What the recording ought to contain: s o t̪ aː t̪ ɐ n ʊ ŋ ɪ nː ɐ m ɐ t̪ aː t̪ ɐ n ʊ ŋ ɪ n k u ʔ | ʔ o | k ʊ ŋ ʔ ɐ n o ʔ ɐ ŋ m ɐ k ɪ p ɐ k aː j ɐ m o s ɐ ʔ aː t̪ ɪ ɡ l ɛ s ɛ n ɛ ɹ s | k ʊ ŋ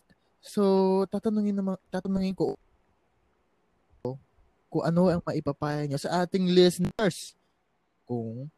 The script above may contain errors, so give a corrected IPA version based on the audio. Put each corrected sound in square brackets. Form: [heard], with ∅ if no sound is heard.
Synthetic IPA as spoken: s o t̪ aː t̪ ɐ n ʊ ŋ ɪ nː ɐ m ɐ t̪ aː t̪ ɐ n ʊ ŋ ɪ n k [o] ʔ | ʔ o | k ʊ ŋ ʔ ɐ n o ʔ ɐ ŋ m ɐ [ʔ] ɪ p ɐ [p] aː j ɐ [ɲ] o s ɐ ʔ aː t̪ ɪ [ŋ] l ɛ s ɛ n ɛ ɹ s | k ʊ ŋ